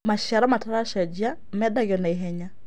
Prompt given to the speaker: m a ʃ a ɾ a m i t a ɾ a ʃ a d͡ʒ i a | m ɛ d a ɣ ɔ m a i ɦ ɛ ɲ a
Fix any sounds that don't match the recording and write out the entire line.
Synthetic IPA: m a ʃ a ɾ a m a t a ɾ a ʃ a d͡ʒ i a | m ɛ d a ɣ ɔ n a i ɦ ɛ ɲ a

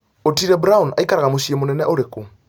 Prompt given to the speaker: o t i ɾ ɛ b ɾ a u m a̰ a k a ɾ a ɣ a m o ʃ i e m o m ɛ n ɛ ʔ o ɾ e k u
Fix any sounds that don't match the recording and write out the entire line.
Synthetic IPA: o t i ɾ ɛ b ɾ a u n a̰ i k a ɾ a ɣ a m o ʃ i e m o n ɛ n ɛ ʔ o ɾ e k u

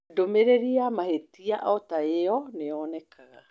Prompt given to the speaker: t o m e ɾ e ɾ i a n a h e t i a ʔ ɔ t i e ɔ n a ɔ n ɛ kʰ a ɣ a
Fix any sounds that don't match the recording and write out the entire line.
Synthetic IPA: d o m e ɾ e ɾ i a m a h e t i a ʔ ɔ t a e ɔ n e ɔ n ɛ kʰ a ɣ a

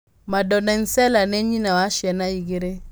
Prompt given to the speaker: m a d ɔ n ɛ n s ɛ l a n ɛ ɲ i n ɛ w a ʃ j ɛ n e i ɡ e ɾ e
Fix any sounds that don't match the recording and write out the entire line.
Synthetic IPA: m a d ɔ n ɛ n s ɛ l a n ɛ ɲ i n a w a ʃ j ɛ n a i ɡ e ɾ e

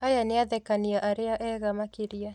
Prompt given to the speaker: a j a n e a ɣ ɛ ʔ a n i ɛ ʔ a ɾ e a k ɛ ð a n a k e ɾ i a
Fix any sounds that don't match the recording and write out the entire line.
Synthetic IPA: a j a n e a ð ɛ k a n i a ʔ a ɾ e a ʔ ɛ ɣ a m a k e ɾ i a

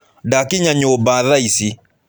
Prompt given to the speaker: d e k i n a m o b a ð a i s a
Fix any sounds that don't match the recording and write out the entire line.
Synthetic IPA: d a k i ɲ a ɲ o b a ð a i s i

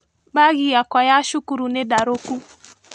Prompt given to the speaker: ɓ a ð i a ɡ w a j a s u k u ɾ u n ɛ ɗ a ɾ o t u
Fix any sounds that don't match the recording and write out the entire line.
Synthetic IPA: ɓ a ɣ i a k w a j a ʃ u k u ɾ u n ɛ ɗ a ɾ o k u

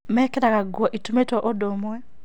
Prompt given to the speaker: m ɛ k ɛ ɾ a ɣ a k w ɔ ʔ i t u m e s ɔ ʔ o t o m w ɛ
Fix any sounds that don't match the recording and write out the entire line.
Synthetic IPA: m ɛ k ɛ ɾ a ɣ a ɡ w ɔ ʔ i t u m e t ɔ ʔ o d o m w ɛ

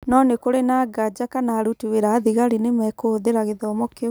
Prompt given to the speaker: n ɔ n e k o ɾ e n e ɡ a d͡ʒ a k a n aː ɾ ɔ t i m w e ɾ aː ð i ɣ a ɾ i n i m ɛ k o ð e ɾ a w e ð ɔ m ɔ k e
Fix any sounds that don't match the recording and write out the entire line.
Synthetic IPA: n ɔ n e k o ɾ e n a ɡ a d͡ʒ a k a n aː ɾ u t i w e ɾ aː ð i ɣ a ɾ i n e m ɛ k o ð e ɾ a ɣ e ð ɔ m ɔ k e

